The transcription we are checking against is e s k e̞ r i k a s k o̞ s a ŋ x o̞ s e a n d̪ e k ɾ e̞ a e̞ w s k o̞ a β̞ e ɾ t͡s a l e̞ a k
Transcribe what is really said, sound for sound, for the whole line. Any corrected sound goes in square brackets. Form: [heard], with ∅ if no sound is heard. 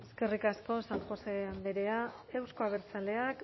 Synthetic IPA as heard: e s k e̞ r i k a s k o̞ s a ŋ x o̞ s e a n d̪ e [∅] ɾ e̞ a e̞ w s k o̞ a β̞ e ɾ t͡s a l e̞ a k

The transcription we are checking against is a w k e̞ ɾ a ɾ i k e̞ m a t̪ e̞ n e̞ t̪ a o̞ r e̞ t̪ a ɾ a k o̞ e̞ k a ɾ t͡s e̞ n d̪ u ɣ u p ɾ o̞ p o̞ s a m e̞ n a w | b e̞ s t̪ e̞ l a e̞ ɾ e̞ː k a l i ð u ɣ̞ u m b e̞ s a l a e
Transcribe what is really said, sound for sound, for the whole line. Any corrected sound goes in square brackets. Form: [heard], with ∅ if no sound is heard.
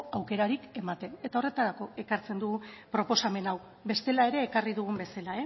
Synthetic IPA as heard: a w k e̞ ɾ a ɾ i k e̞ m a t̪ e̞ n e̞ t̪ a o̞ r e̞ t̪ a ɾ a k o̞ e̞ k a ɾ t͡s e̞ n d̪ u ɣ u p ɾ o̞ p o̞ s a m e̞ n a w | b e̞ s t̪ e̞ l a e̞ ɾ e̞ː k a [r] i ð u ɣ̞ u m b e̞ s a l a e

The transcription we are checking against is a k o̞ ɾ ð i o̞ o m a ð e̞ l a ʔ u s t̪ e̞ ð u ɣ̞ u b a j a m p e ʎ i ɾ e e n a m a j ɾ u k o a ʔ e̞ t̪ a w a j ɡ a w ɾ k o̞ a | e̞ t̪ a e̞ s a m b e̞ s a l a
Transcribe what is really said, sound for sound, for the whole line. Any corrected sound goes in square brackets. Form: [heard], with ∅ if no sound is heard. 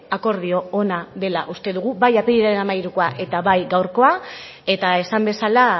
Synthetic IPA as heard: a k o̞ ɾ ð i o̞ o [n] a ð e̞ l a ʔ u s t̪ e̞ ð u ɣ̞ u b a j a [∅] p e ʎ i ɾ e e n a m a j ɾ u k o a ʔ e̞ t̪ a [β] a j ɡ a w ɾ k o̞ a | e̞ t̪ a e̞ s a m b e̞ s a l a

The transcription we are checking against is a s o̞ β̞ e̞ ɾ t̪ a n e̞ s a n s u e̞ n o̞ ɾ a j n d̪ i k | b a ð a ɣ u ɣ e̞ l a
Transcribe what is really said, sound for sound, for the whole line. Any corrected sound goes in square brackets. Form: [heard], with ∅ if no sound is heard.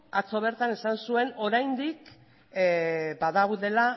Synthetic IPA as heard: a [t͡s] o̞ β̞ e̞ ɾ t̪ a n e̞ s a n s u e̞ n o̞ ɾ a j n d̪ i k | b a ð a ɣ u [ð] e̞ l a

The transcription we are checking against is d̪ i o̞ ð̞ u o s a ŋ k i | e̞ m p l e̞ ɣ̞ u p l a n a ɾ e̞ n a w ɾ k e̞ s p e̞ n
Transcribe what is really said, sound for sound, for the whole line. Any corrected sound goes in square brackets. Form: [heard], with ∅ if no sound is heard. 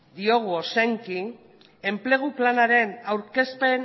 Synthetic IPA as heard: d̪ i o̞ [ɣ̞] u o s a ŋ k i | e̞ m p l e̞ ɣ̞ u p l a n a ɾ e̞ n a w ɾ k e̞ s p e̞ n

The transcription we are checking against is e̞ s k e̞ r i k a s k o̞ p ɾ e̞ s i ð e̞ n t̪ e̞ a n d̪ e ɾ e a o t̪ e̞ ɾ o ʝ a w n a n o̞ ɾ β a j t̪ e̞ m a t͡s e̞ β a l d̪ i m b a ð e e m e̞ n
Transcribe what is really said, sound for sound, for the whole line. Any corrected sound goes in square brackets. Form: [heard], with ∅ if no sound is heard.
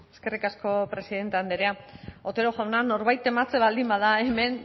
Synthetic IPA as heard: e̞ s k e̞ r i k a s k o̞ p ɾ e̞ s i ð e̞ n t̪ e̞ a n d̪ e ɾ e a o t̪ e̞ ɾ o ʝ a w n a n o̞ ɾ β a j t̪ e̞ m a t͡s e̞ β a l d̪ i m b a ð [a] e m e̞ n

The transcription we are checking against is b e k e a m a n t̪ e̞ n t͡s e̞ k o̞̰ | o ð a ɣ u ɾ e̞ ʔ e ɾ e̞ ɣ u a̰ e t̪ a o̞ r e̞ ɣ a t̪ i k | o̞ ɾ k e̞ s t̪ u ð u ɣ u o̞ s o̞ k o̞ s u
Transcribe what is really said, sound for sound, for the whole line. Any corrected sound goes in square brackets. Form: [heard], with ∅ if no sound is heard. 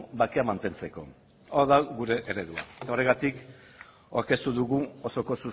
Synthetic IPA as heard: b [a] k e a m a n t̪ e̞ n t͡s e̞ k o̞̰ | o ð a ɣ u ɾ e̞ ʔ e ɾ e̞ [ð] u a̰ e t̪ a o̞ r e̞ ɣ a t̪ i k | o̞ ɾ k e̞ s t̪ u ð u ɣ u o̞ s o̞ k o̞ s u

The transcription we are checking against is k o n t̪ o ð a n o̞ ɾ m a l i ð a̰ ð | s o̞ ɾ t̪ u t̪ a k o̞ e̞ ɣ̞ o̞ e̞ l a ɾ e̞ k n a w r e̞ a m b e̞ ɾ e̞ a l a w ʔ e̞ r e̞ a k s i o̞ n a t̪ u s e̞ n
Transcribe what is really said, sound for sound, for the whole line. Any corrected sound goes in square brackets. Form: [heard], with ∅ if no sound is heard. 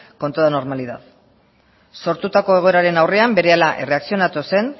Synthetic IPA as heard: k o n t̪ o ð a n o̞ ɾ m a l i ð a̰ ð | s o̞ ɾ t̪ u t̪ a k o̞ e̞ ɣ̞ o̞ e̞ [ɾ] a ɾ e̞ [∅] n a w r e̞ a m b e̞ ɾ e̞ a l a [∅] ʔ e̞ r e̞ a k s i o̞ n a t̪ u s e̞ n

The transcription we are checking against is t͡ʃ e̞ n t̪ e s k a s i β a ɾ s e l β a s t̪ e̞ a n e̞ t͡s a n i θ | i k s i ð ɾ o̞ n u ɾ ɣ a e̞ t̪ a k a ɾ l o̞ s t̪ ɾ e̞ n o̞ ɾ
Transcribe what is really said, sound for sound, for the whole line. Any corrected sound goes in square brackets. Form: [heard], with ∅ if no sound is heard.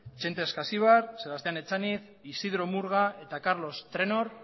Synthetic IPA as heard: t͡ʃ e̞ n t̪ e s k a s i β a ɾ s e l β a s t̪ e̞ a n e̞ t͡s a n i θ | i [∅] s i ð ɾ o̞ [m] u ɾ ɣ a e̞ t̪ a k a ɾ l o̞ s t̪ ɾ e̞ n o̞ ɾ

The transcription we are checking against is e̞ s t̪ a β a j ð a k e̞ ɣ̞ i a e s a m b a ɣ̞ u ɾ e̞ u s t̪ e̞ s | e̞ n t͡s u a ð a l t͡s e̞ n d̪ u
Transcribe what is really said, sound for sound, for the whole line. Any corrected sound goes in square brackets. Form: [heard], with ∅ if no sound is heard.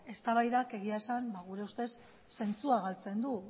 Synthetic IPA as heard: e̞ s t̪ a β a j ð a k e̞ ɣ̞ i a e s a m b a ɣ̞ u ɾ e̞ u s t̪ e̞ [sː] | e̞ n t͡s u a [ɣ] a l t͡s e̞ n d̪ u

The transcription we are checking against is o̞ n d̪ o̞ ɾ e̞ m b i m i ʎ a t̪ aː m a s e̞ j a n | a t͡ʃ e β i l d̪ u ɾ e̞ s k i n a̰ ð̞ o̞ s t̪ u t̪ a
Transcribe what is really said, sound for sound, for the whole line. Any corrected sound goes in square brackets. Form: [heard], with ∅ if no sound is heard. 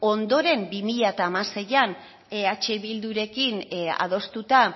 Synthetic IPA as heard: o̞ n d̪ o̞ ɾ e̞ m b i m i ʎ a t̪ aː m a s e̞ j a n | a t͡ʃ e β i l d̪ u ɾ e̞ [∅] k i n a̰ ð̞ o̞ s t̪ u t̪ a

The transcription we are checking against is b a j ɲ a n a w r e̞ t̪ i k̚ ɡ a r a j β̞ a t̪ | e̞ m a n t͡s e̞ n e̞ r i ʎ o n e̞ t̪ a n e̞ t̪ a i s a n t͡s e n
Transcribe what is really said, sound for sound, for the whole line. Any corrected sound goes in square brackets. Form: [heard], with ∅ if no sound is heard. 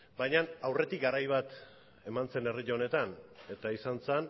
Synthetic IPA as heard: b a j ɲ a n a w r e̞ t̪ i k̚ ɡ a [ɾ] a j β̞ a t̪ | e̞ m a n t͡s e̞ n e̞ r i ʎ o n e̞ t̪ a n e̞ t̪ a i s a n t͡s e n

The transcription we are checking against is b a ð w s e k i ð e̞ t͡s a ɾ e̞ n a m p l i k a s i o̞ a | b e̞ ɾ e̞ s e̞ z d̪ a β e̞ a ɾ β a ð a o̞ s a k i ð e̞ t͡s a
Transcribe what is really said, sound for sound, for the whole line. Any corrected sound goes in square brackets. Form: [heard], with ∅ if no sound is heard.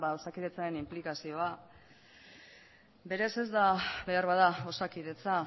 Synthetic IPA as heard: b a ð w s [a] k i ð e̞ t͡s a ɾ e̞ n [i] m p l i k a s i o̞ a | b e̞ ɾ e̞ s e̞ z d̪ a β e̞ a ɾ β a ð a o̞ s a k i ð e̞ t͡s a

